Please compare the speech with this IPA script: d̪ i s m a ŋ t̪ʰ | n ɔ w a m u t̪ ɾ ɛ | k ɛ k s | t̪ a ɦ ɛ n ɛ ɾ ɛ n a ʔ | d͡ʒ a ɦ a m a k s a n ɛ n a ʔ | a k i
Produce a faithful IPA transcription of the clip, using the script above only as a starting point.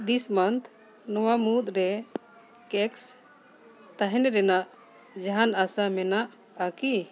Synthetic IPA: d̪ i s m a n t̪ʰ | n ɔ w a m u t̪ ɾ ɛ | k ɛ k s | t̪ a ɦ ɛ n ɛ ɾ ɛ n a ʔ | d͡ʒ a ɦ a n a s a m ɛ n a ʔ | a k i